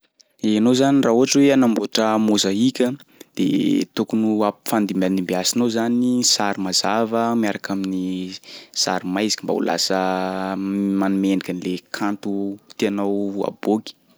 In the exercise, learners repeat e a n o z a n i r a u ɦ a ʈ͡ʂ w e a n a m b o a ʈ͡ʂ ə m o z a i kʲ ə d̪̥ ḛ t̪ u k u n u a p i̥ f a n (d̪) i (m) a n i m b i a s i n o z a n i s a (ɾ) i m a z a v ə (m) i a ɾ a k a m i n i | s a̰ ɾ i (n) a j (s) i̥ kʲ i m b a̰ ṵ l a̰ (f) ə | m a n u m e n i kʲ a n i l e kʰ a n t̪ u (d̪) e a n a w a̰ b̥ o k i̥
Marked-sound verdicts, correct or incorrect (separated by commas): correct, correct, correct, correct, incorrect, incorrect, incorrect, incorrect